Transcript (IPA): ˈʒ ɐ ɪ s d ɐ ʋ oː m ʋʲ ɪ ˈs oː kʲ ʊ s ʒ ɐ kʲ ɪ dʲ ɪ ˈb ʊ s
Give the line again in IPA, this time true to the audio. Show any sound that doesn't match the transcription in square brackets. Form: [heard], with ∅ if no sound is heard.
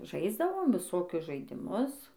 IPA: ˈʒ ɐ ɪ [z] d ɐ ʋ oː m ʋʲ ɪ ˈs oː kʲ ʊ s ʒ ɐ [∅] ɪ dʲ ɪ [ˈm] ʊ s

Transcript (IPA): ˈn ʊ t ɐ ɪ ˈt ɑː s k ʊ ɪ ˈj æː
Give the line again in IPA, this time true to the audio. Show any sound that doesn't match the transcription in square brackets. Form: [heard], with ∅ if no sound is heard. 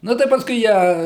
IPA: ˈn ʊ t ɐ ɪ [ˈp] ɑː s k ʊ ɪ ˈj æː

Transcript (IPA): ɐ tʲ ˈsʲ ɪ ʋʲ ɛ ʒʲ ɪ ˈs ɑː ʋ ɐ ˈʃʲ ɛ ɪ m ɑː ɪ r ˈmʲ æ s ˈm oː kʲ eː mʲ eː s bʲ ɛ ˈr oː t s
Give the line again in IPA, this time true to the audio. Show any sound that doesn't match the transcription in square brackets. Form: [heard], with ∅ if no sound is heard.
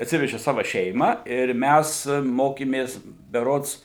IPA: ɐ tʲ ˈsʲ ɪ ʋʲ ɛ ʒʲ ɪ ˈs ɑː ʋ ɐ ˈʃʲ ɛ ɪ m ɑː ɪ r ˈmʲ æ s ˈm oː kʲ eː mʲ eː s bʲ ɛ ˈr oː t s

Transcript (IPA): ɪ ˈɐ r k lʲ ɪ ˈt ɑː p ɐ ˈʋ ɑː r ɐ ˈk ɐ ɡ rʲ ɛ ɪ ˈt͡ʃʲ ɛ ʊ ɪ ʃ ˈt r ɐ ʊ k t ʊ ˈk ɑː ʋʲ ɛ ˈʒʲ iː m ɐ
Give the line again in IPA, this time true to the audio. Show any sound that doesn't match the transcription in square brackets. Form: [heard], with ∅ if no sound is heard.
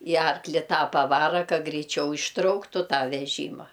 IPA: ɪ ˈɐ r k lʲ ɪ ˈt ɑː p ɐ ˈʋ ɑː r ɐ ˈk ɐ ɡ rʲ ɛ ɪ ˈt͡ʃʲ ɛ ʊ ɪ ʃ ˈt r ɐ ʊ k t ʊ [ˈt] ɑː ʋʲ ɛ ˈʒʲ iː m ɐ

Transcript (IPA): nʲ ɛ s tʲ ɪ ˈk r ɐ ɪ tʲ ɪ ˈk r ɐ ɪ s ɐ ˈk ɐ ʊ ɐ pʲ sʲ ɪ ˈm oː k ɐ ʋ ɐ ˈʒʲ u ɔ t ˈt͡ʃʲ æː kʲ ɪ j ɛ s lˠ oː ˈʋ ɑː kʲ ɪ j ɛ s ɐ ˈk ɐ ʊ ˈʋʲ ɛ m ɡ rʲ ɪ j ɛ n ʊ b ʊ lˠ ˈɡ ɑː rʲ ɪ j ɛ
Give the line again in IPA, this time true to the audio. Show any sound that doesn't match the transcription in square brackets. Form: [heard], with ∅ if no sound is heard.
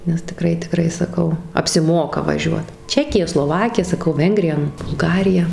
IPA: nʲ ɛ s tʲ ɪ ˈk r ɐ ɪ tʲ ɪ ˈk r ɐ ɪ s ɐ ˈk ɐ ʊ ɐ pʲ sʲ ɪ ˈm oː k ɐ ʋ ɐ ˈʒʲ u ɔ t ˈt͡ʃʲ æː kʲ ɪ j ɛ s lˠ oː ˈʋ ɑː kʲ ɪ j ɛ s ɐ ˈk ɐ ʊ ˈʋʲ ɛ [ŋ] ɡ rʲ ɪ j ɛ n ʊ b ʊ lˠ ˈɡ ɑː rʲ ɪ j ɛ

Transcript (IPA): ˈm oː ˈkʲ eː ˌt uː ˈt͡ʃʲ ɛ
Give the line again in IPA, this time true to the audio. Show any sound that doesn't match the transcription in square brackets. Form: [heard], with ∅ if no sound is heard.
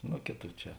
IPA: [ˈn] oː ˈkʲ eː ˌt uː ˈt͡ʃʲ ɛ

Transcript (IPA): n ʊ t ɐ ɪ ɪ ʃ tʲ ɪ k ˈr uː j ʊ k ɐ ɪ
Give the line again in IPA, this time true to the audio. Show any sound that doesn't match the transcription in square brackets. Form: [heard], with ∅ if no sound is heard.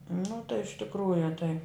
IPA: n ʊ t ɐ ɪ ɪ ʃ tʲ ɪ k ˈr uː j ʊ [t] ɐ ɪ

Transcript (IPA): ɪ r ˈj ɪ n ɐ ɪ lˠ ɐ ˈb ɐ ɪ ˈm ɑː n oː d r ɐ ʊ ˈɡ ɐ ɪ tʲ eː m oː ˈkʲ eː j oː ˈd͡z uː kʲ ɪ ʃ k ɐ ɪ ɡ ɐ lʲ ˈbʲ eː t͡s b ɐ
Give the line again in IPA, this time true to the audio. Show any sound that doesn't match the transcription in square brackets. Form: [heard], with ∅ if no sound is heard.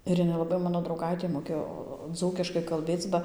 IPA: ɪ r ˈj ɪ n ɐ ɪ lˠ ɐ ˈb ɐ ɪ ˈm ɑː n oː d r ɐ ʊ ˈɡ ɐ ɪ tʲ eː m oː ˈkʲ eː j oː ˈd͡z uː kʲ ɪ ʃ k ɐ ɪ [k] ɐ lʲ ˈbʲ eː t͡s b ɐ

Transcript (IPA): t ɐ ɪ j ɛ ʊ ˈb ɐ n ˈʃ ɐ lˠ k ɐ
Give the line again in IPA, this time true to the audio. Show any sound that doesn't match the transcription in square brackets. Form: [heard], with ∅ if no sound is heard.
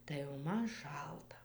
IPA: t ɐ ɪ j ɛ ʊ [ˈm] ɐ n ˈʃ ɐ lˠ [t] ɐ

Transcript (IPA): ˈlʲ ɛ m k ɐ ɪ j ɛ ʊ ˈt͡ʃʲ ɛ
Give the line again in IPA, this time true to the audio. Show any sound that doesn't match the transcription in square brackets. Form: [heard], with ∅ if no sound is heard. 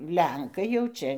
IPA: ˈlʲ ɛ [ŋ] k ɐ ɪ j ɛ ʊ ˈt͡ʃʲ ɛ

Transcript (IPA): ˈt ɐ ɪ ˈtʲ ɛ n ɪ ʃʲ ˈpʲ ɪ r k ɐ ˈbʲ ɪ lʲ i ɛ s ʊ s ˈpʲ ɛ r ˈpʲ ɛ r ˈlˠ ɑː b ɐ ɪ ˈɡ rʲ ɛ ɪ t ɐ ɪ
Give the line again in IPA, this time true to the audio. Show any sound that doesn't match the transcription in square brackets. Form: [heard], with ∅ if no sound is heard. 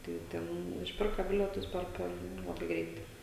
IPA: ˈt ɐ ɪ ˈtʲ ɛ n ɪ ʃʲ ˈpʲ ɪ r k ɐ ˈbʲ ɪ lʲ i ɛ [t] ʊ s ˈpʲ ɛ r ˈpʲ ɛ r ˈlˠ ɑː b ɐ ɪ ˈɡ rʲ ɛ ɪ t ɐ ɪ

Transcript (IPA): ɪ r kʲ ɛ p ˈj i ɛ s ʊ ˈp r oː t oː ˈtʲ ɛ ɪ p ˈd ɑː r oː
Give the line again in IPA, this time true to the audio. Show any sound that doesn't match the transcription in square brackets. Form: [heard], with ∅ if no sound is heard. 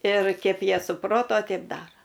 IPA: ɪ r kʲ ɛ p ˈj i ɛ s ʊ ˈp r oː t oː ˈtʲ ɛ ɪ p ˈd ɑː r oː

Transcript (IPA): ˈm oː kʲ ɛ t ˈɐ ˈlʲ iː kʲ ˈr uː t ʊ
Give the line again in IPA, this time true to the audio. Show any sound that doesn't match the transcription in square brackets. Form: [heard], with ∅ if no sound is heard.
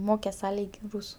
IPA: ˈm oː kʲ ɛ [s] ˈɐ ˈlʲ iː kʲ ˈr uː [s] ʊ

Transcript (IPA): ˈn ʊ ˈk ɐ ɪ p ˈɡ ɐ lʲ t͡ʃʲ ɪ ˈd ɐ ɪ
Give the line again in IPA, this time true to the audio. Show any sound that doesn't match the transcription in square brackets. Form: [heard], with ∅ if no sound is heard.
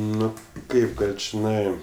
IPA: ˈn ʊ ˈk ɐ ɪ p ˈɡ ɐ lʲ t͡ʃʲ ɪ [ˈn] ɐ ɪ

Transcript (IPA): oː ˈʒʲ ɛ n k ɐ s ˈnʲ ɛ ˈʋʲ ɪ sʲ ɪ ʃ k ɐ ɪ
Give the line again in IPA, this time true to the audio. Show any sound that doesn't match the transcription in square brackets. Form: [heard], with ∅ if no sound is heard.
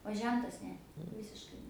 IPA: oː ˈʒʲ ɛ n [t] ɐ s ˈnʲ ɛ ˈʋʲ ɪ sʲ ɪ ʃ k ɐ ɪ

